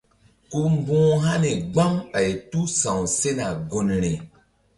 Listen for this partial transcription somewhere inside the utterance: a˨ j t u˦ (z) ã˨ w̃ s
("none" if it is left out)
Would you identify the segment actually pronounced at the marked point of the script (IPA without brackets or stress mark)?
s